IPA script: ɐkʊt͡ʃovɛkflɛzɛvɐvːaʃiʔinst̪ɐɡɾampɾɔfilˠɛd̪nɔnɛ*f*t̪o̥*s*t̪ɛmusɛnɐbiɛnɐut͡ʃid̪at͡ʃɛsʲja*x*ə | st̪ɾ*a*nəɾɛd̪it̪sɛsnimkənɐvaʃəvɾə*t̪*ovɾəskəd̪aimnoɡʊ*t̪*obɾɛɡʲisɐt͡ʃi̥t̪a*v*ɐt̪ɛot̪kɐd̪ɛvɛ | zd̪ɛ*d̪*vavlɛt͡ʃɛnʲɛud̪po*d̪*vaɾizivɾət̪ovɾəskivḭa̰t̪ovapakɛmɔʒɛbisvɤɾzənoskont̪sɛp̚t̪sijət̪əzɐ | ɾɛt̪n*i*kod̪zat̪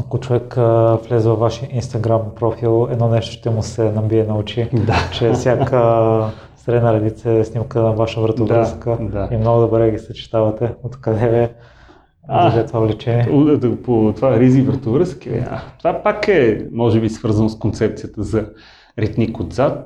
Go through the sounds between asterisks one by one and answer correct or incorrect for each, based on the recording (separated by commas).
incorrect, incorrect, incorrect, incorrect, correct, incorrect, correct, incorrect, incorrect, correct